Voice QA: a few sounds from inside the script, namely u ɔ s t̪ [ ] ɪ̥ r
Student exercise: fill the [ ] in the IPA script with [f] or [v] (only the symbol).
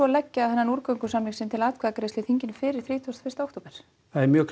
f